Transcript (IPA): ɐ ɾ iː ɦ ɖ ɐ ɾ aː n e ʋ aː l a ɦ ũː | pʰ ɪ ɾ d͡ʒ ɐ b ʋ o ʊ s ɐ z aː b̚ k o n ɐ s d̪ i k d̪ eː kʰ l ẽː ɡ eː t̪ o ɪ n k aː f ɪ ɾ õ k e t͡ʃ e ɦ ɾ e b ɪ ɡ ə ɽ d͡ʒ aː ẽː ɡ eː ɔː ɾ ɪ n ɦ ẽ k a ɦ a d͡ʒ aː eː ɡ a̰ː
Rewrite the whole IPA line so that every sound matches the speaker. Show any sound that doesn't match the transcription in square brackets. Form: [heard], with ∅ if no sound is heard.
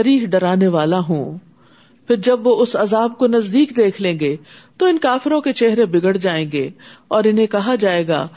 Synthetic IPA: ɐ ɾ iː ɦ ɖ ɐ ɾ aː n e ʋ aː l a ɦ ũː | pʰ ɪ ɾ d͡ʒ ɐ b ʋ o ʊ s ɐ z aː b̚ k o n ɐ [z] d̪ [iː] k d̪ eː kʰ l ẽː ɡ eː t̪ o ɪ n k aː f ɪ ɾ õ k e t͡ʃ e ɦ ɾ e b ɪ ɡ ə ɽ d͡ʒ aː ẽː ɡ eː ɔː ɾ ɪ n ɦ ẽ k [ɐ] ɦ a d͡ʒ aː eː ɡ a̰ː